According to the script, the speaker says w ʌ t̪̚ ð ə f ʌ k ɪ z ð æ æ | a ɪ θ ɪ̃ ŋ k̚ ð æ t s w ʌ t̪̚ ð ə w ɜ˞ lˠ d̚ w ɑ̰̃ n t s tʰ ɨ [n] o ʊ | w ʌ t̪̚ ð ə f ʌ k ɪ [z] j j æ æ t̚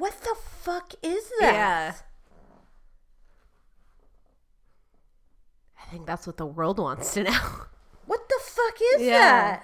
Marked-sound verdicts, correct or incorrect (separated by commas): correct, correct